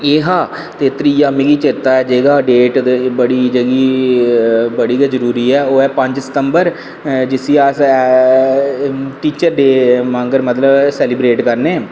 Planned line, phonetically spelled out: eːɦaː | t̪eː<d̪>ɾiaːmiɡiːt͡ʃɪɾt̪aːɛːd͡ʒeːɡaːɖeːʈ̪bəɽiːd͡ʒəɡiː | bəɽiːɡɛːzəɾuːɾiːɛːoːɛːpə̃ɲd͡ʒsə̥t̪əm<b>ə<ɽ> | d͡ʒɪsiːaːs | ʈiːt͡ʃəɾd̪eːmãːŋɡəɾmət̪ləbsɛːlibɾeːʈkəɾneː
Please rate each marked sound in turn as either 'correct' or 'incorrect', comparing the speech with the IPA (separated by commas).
incorrect, correct, incorrect